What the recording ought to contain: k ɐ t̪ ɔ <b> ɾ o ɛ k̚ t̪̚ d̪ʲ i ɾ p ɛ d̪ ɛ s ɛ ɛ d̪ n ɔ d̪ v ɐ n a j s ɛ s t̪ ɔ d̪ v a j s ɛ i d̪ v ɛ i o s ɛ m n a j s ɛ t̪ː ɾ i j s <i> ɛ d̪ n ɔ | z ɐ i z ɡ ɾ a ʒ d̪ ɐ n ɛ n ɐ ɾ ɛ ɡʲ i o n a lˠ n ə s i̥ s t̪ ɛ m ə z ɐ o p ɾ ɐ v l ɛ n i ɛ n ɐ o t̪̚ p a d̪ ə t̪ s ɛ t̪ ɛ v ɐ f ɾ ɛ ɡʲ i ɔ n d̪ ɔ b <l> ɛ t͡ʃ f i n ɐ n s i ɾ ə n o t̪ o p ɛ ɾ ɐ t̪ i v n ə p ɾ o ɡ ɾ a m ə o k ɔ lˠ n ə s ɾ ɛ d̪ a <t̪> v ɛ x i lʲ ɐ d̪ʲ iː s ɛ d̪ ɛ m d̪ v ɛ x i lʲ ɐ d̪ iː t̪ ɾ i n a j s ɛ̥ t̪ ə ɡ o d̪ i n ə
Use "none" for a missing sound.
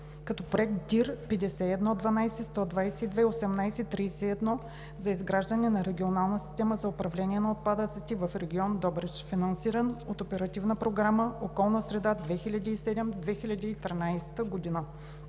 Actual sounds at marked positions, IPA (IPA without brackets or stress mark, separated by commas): p, ɛ, ɾ, d̪